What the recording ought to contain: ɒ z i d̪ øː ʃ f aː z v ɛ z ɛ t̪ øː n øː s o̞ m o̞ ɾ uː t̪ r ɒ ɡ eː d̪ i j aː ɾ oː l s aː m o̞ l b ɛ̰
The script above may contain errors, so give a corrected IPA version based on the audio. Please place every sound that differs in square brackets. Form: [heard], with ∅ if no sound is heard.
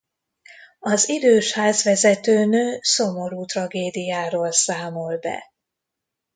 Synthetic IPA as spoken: ɒ z i d̪ øː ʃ [h] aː z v ɛ z ɛ t̪ øː n øː s o̞ m o̞ ɾ uː t̪ r ɒ ɡ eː d̪ i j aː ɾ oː l s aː m o̞ l b ɛ̰

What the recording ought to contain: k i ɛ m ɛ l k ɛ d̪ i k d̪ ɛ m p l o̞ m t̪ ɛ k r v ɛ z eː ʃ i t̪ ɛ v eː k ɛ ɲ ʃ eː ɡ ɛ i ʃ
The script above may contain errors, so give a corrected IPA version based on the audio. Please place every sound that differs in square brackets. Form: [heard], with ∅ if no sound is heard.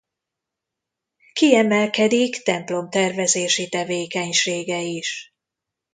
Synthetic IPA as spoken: k i ɛ m ɛ l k ɛ d̪ i k [t̪] ɛ m p l o̞ m t̪ ɛ [∅] r v ɛ z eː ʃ i t̪ ɛ v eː k ɛ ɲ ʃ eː ɡ ɛ i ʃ

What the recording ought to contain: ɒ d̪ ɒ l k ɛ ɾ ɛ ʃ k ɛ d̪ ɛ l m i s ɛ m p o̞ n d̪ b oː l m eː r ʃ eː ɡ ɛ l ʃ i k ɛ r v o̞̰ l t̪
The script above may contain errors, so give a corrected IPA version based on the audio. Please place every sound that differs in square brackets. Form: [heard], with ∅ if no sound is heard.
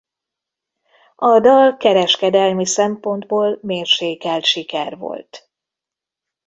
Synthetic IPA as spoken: ɒ d̪ ɒ l k ɛ ɾ ɛ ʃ k ɛ d̪ ɛ l m i s ɛ m p o̞ n d̪ b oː l m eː r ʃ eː [k] ɛ l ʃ i k ɛ r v o̞̰ l t̪

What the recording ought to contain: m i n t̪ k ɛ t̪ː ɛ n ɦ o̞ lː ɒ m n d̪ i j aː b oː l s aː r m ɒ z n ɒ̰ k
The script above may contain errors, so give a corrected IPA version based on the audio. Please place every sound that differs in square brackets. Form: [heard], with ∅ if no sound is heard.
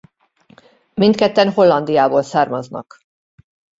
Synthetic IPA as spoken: m i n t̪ k ɛ t̪ː ɛ n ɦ o̞ lː ɒ [∅] n d̪ i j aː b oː l s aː r m ɒ z n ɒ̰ k

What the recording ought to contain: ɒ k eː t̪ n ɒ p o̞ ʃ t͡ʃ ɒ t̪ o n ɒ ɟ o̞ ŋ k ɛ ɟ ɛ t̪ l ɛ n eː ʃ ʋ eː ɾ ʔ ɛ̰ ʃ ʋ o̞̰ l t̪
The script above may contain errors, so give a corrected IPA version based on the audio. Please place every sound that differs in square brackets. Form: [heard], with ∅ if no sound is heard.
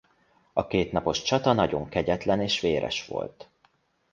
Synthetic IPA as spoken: ɒ k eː t̪ n ɒ p o̞ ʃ t͡ʃ ɒ t̪ [ɒ] n ɒ ɟ o̞ ŋ k ɛ ɟ ɛ t̪ l ɛ n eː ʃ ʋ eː ɾ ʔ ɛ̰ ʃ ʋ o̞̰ l t̪

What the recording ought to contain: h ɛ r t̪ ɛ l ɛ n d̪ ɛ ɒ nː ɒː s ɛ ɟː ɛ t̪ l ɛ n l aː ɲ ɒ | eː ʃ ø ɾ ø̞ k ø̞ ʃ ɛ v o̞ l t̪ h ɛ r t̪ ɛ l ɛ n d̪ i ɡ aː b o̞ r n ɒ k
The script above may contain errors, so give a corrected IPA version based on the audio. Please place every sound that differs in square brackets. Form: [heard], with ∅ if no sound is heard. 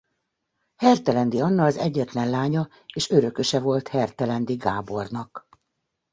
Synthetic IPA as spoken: h ɛ r t̪ ɛ l ɛ n d̪ [i] ɒ nː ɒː [z] ɛ ɟː ɛ t̪ l ɛ n l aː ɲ ɒ | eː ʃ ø ɾ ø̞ k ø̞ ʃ ɛ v o̞ l t̪ h ɛ r t̪ ɛ l ɛ n d̪ i ɡ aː b o̞ r n ɒ k

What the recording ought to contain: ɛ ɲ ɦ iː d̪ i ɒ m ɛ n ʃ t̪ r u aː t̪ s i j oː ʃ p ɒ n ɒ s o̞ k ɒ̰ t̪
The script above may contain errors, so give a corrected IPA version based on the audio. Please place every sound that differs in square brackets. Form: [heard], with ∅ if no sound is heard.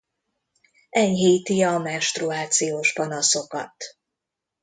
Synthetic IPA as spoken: ɛ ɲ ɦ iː [t̪] i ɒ m ɛ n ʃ t̪ r u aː t̪ s i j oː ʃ p ɒ n ɒ s o̞ k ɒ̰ t̪

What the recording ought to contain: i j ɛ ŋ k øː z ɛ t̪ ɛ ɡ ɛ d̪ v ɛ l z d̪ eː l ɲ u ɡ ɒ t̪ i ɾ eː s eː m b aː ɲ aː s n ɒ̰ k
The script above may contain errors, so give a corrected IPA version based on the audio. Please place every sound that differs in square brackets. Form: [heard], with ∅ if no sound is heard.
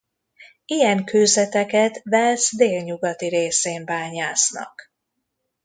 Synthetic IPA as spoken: i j ɛ ŋ k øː z ɛ t̪ ɛ [k] ɛ [t̪] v ɛ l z d̪ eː l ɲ u ɡ ɒ t̪ i ɾ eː s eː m b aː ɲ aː s n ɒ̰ k

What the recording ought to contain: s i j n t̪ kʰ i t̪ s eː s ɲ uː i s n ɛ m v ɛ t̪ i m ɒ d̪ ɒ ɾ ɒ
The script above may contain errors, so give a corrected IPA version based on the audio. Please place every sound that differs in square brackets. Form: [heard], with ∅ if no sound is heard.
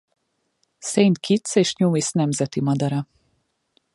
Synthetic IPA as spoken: s [e] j n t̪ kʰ i t̪ s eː [ʃ] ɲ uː i s n ɛ m [z] ɛ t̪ i m ɒ d̪ ɒ ɾ ɒ

